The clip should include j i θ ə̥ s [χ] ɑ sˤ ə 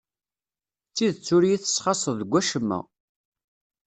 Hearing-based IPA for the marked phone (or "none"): χ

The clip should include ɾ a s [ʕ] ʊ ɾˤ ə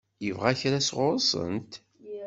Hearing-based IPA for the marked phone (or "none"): ʁ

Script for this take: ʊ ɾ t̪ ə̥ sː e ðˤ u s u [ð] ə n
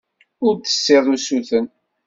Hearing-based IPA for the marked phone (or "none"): θ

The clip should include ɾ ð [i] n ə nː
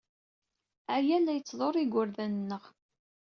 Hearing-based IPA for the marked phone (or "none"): æ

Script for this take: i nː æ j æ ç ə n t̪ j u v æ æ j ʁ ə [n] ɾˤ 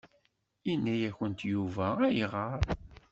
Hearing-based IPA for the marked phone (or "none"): none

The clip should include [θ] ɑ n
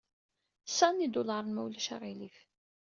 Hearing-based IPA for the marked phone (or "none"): s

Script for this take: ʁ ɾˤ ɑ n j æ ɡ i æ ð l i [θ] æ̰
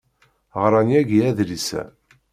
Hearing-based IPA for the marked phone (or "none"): s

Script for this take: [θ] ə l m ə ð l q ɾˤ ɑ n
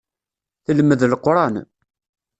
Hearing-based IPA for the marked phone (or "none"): θ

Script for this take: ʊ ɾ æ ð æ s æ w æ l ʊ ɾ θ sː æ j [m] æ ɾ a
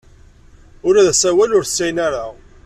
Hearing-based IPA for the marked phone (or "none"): n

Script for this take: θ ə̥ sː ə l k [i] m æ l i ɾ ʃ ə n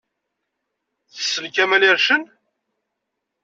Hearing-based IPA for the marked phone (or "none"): æ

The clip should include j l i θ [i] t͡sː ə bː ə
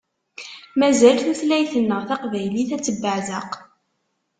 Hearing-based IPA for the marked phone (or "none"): æ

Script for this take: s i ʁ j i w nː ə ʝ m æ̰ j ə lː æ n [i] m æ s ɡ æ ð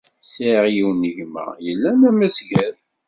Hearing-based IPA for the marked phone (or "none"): æ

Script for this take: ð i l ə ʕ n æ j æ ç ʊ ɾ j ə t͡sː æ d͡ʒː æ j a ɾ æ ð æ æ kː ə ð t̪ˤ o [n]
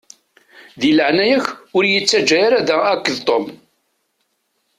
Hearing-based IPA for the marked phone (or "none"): m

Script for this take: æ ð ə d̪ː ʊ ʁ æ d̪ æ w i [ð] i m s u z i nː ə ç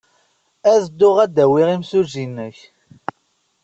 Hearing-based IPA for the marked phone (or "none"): ʁ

